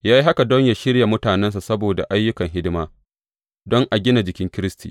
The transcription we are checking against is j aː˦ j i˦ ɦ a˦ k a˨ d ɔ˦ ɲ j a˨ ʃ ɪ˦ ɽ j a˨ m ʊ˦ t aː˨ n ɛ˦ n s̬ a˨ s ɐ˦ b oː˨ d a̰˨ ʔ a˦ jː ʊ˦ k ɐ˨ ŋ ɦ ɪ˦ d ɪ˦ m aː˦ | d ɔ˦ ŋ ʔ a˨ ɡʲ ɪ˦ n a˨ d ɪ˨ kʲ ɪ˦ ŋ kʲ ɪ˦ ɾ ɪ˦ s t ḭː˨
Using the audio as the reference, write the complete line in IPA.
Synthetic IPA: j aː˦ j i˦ ɦ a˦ k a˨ d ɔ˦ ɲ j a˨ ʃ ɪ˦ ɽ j a˨ m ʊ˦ t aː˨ n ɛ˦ n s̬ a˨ s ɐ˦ b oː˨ d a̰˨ ʔ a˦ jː ʊ˦ k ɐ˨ ŋ ɦ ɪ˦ d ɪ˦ m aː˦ | d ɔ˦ ŋ ʔ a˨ ɡʲ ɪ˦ n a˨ d͡ʒ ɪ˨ kʲ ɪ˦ ŋ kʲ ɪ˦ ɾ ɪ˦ s t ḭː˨